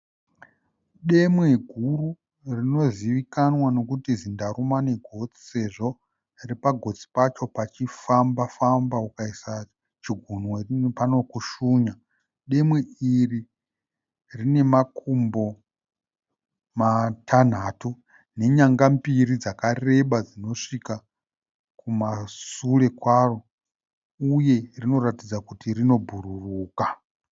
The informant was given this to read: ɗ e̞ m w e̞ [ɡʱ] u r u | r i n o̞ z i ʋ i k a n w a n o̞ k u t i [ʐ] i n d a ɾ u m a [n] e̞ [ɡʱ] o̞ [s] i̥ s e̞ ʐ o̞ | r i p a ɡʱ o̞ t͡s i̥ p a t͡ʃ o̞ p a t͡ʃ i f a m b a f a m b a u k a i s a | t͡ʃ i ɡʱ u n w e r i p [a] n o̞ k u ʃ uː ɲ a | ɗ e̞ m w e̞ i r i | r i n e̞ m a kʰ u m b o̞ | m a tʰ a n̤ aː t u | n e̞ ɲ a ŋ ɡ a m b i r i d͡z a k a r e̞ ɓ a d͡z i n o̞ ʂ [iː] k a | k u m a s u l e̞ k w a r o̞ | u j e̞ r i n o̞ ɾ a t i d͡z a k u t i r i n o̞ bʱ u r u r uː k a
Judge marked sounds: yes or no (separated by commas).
yes, no, yes, yes, no, yes, no